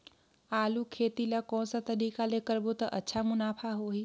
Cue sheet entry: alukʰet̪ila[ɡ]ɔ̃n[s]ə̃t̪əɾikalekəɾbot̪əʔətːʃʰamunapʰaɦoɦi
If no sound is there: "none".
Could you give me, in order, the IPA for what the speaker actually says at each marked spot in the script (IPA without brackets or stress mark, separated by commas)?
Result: k, s